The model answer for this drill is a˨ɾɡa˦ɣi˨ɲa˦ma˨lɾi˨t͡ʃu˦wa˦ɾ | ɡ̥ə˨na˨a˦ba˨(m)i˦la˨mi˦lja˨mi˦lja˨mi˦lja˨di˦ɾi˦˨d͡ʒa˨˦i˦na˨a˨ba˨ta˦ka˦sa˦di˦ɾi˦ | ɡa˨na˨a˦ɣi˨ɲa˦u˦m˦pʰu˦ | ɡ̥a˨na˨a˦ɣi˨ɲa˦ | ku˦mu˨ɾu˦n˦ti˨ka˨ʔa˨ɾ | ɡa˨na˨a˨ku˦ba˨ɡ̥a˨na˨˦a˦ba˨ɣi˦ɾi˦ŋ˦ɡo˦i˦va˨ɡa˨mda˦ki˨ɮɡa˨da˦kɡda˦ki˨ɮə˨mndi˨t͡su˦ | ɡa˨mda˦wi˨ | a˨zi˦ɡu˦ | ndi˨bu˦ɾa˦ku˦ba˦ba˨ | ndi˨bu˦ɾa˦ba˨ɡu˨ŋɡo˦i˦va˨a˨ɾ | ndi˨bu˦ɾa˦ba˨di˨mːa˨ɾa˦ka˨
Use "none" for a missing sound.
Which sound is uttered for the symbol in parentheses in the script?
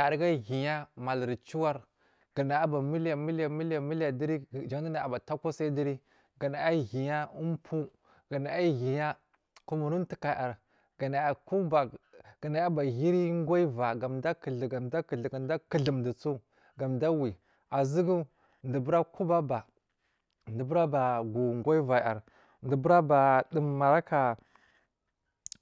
m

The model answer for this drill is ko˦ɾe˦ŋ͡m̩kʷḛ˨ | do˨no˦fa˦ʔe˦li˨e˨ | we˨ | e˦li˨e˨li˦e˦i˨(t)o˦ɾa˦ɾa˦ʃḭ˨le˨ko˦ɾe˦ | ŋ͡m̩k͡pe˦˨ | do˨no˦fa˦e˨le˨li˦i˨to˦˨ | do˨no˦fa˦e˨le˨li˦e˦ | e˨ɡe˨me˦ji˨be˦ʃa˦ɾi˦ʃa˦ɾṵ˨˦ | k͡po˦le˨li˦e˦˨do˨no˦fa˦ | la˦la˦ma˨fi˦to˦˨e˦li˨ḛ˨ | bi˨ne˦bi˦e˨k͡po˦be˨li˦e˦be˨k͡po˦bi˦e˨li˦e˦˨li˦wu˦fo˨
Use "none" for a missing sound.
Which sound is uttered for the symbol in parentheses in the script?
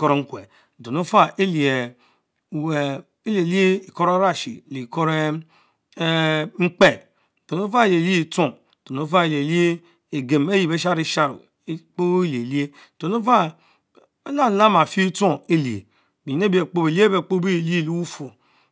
k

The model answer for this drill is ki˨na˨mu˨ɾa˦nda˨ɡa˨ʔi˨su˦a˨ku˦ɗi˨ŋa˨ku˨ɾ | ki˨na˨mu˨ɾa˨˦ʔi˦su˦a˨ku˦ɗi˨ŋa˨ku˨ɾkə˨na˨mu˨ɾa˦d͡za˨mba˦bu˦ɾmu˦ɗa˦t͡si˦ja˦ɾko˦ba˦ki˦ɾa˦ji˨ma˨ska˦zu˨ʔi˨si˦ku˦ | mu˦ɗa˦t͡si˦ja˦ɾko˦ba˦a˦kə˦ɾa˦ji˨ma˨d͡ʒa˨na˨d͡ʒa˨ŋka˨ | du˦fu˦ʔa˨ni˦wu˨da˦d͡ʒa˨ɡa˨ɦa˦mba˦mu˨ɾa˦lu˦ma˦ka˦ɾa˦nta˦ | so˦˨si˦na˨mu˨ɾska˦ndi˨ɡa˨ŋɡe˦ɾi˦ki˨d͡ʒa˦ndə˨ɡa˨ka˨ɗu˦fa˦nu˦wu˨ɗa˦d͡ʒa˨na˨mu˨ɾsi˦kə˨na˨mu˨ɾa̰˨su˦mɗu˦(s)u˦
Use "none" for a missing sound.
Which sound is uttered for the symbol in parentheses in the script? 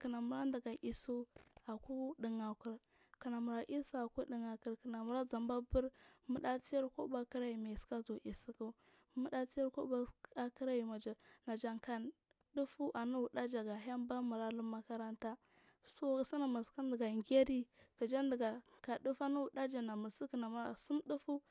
f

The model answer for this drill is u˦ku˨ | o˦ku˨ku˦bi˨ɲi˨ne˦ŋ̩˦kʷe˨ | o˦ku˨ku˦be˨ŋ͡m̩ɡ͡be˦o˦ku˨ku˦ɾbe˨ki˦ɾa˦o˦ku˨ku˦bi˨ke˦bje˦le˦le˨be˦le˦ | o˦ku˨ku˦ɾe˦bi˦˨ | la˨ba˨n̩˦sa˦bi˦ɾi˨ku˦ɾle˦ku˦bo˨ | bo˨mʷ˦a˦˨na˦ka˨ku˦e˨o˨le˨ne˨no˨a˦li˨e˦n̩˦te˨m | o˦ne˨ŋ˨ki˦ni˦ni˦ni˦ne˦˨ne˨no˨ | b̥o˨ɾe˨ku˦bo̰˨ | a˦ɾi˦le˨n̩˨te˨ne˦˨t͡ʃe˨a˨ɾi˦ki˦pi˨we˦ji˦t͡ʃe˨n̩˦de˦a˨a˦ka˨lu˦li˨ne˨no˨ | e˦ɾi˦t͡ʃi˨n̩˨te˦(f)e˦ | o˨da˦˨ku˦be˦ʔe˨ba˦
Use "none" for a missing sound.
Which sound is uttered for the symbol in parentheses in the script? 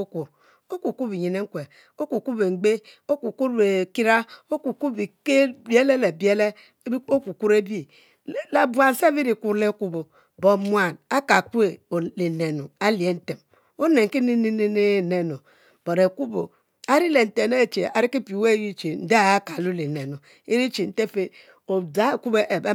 f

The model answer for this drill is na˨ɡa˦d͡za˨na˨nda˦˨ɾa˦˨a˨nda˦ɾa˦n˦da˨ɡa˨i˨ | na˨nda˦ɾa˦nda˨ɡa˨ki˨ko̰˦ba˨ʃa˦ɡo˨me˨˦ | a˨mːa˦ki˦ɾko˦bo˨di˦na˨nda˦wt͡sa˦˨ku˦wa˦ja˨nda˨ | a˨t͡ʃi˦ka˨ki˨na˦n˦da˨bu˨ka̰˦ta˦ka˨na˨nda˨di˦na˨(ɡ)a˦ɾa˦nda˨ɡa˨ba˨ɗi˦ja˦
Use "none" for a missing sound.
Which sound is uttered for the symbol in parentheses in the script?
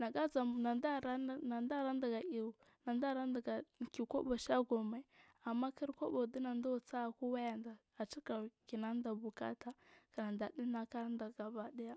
k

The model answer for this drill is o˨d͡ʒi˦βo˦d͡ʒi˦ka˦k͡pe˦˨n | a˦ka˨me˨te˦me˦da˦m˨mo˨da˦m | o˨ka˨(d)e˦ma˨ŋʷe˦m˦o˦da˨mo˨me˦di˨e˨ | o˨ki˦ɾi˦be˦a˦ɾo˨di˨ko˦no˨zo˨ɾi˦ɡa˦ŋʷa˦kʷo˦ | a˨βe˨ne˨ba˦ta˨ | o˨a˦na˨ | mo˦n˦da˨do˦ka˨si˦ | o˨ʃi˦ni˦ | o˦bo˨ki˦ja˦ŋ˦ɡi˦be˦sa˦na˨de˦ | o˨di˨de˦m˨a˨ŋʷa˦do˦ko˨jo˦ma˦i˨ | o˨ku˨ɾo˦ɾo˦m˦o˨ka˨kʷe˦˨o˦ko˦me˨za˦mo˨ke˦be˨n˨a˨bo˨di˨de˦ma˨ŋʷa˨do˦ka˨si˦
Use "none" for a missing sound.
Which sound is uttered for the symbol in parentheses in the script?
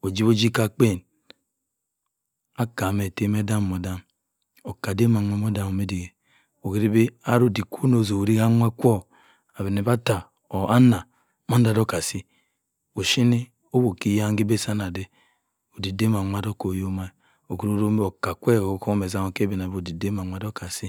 d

